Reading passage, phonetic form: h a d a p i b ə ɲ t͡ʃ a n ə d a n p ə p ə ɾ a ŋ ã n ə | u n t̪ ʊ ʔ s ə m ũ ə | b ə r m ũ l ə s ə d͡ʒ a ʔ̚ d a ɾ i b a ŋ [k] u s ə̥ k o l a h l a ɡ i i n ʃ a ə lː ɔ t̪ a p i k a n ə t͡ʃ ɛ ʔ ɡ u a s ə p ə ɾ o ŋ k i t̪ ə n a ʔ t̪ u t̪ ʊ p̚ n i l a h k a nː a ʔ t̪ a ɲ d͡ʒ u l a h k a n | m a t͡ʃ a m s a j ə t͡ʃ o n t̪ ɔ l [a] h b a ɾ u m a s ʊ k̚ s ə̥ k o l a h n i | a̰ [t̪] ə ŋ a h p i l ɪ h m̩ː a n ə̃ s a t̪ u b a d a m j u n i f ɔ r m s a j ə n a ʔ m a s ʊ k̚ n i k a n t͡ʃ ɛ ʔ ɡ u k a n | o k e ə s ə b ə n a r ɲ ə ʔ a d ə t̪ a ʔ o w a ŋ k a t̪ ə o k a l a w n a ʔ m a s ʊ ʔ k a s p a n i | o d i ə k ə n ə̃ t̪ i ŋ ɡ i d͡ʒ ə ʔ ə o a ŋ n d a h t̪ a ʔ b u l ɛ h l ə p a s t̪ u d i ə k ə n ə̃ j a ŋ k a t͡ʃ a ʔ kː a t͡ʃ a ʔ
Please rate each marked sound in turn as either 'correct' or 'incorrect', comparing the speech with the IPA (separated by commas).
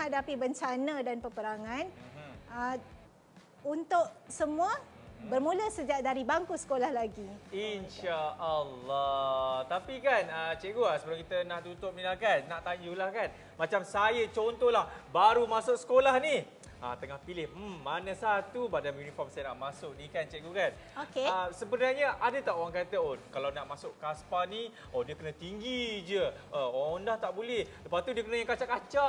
correct, correct, correct